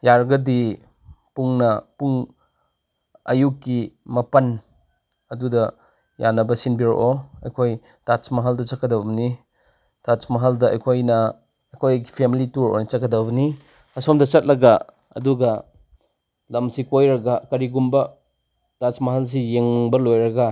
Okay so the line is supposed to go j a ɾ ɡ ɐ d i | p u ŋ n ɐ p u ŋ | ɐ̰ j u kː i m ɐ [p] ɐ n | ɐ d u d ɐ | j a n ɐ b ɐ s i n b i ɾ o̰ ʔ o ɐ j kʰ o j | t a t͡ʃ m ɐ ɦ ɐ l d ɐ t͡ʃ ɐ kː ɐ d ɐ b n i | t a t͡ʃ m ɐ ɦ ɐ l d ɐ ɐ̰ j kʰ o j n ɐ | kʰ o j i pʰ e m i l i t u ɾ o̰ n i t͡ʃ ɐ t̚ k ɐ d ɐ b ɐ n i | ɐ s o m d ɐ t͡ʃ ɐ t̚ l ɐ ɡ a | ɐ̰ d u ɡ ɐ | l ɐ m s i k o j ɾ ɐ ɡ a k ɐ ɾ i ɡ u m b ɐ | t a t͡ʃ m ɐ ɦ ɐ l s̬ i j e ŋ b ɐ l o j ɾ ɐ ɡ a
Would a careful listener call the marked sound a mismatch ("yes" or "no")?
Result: no